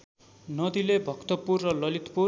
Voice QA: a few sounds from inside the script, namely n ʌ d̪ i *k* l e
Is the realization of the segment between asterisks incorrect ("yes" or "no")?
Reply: yes